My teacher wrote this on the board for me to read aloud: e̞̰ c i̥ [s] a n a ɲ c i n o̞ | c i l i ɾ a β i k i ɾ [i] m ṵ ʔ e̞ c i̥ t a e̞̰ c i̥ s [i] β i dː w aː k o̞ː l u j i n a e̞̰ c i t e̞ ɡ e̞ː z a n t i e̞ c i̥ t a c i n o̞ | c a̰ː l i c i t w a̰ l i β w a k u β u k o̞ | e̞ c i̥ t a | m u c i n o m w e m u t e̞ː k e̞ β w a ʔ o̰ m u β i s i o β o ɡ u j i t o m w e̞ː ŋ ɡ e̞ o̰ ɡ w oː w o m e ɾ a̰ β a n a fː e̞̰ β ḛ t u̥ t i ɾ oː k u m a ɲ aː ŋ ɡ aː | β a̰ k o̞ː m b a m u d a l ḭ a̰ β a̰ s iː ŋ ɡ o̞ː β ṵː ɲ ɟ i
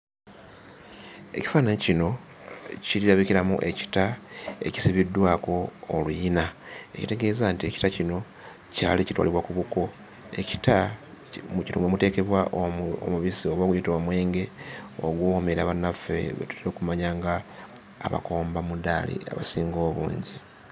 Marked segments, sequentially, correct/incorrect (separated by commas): incorrect, incorrect, correct